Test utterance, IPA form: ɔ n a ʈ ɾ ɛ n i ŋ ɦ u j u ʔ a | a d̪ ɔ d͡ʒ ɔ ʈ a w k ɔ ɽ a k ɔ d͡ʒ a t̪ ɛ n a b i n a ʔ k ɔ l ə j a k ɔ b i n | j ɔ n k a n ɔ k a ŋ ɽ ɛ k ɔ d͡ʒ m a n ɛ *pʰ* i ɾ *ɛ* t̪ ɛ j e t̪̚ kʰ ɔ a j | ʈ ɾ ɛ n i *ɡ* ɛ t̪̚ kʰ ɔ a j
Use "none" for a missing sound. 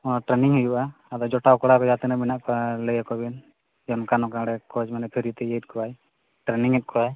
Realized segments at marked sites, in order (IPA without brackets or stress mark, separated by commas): pʰ, i, ŋ